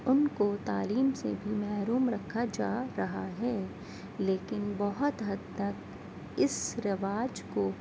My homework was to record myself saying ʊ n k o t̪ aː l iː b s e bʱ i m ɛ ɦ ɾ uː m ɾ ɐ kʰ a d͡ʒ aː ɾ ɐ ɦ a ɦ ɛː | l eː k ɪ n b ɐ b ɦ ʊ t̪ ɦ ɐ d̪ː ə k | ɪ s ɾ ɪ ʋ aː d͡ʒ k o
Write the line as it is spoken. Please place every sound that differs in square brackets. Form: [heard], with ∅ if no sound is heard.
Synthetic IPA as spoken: ʊ n k o t̪ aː l iː [m] s e bʱ i m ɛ ɦ ɾ uː m ɾ ɐ kʰ a d͡ʒ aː ɾ ɐ ɦ a ɦ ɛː | l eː k ɪ n b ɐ [∅] ɦ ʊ t̪ ɦ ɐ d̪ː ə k | ɪ s ɾ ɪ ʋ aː d͡ʒ k o